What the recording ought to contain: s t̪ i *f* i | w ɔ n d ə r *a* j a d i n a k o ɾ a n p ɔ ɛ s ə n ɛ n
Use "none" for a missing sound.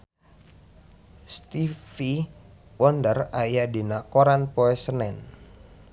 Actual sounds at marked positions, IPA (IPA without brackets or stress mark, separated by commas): f, a